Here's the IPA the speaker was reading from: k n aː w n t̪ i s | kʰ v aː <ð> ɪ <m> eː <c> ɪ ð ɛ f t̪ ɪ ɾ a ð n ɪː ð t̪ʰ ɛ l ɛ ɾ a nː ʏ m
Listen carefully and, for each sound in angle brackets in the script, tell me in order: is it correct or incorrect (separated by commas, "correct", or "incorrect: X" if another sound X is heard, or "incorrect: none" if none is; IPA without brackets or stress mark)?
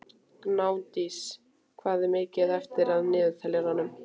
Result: correct, correct, correct